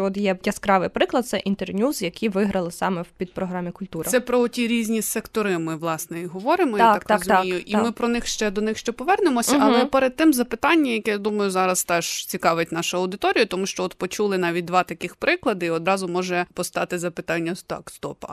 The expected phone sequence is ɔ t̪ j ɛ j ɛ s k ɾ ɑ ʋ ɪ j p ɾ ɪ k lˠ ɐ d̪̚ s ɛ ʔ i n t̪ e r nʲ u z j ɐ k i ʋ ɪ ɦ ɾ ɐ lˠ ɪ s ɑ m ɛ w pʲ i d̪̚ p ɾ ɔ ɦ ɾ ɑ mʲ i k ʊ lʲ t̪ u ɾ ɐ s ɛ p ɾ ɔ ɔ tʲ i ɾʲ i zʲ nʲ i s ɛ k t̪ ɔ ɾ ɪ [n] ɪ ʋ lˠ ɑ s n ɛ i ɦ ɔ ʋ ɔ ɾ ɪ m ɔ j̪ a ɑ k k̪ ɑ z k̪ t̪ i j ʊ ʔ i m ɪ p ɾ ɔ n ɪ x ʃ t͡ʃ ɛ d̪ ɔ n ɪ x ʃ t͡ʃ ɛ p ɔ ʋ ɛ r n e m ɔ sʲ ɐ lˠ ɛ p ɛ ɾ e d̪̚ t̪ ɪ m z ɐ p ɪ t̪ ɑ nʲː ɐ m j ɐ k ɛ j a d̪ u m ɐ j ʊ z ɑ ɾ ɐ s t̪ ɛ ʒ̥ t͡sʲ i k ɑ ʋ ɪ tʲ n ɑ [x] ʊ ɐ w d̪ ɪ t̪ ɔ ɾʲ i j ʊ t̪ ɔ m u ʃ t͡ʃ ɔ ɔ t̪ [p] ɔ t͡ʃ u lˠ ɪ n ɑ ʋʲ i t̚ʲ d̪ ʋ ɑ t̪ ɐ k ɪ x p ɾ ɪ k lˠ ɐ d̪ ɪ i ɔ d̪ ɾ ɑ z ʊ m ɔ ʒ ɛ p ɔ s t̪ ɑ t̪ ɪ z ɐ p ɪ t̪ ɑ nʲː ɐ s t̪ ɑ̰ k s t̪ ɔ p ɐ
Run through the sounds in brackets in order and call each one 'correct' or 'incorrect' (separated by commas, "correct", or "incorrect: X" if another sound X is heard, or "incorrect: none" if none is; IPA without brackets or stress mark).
incorrect: m, incorrect: ʃ, correct